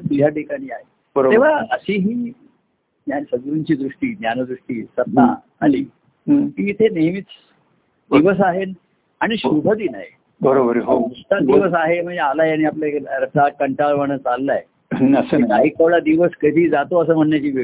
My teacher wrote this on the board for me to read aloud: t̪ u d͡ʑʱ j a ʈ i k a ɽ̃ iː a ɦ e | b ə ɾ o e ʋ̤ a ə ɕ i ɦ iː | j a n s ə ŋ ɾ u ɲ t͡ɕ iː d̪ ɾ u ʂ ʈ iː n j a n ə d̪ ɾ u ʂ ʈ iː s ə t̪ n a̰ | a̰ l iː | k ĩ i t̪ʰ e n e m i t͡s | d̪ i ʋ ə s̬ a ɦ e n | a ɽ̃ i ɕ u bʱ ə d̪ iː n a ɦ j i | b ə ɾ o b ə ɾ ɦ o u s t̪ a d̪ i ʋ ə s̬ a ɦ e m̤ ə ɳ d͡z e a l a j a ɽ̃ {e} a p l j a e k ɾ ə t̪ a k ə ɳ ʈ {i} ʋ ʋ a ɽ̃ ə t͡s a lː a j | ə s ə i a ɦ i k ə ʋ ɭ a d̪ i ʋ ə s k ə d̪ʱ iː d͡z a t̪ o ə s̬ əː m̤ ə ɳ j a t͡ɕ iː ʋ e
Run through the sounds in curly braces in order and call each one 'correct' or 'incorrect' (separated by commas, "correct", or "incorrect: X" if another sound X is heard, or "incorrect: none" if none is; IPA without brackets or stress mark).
incorrect: i, incorrect: a